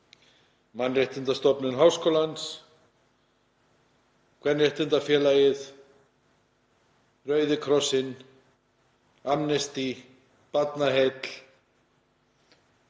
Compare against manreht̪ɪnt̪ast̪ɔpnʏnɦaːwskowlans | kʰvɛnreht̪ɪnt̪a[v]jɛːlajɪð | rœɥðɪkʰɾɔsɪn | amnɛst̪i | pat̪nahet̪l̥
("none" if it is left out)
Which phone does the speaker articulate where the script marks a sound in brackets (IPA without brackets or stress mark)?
f